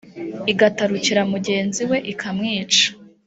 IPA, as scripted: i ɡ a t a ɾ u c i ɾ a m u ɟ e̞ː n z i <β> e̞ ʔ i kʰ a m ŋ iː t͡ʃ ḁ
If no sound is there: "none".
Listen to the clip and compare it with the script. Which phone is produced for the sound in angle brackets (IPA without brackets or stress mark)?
w